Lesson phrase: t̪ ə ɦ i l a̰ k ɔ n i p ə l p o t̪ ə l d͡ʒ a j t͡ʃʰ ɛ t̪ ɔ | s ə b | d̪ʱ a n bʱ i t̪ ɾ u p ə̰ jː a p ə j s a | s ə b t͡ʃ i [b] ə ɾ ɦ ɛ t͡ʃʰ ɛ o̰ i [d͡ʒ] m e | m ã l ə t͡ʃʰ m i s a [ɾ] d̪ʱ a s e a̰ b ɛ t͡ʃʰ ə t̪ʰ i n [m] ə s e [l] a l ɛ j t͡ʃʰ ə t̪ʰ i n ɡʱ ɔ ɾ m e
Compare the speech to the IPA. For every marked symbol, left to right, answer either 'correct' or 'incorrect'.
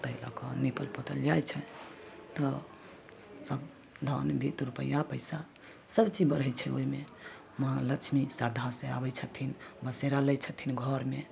correct, incorrect: none, correct, incorrect: b, incorrect: ɾ

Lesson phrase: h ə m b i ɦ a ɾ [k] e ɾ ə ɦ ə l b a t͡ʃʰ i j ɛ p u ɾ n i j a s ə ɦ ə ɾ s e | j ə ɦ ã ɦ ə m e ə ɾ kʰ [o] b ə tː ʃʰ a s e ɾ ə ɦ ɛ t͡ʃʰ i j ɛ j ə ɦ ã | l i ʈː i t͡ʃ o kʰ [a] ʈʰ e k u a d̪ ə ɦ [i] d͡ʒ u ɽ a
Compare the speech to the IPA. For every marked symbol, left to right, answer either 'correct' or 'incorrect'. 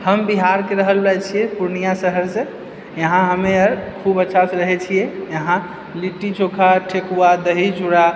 correct, incorrect: u, correct, correct

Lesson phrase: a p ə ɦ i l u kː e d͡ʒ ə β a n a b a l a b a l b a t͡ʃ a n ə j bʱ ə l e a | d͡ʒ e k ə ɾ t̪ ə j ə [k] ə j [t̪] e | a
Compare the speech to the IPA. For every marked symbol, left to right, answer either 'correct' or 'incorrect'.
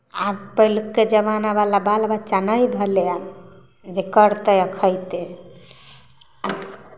incorrect: kʰ, correct

